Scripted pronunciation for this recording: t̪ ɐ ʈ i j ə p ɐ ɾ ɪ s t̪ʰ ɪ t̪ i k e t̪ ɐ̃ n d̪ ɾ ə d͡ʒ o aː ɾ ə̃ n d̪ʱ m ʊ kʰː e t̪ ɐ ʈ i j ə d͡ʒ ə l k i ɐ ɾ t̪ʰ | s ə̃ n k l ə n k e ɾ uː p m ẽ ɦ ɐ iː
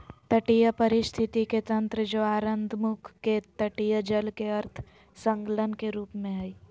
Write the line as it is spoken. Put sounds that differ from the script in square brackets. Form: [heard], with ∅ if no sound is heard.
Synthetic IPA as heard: t̪ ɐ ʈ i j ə p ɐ ɾ ɪ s t̪ʰ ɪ t̪ i k e t̪ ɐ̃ n [t̪] ɾ ə d͡ʒ o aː ɾ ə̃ n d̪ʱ m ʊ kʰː e t̪ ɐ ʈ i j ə d͡ʒ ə l k [e] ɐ ɾ t̪ʰ | s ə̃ [ŋ] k l ə n k e ɾ uː p m ẽ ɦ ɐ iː